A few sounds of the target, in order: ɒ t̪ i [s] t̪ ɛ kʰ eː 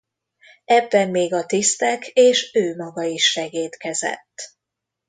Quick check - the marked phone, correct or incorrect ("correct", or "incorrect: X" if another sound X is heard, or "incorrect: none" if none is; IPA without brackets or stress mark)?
correct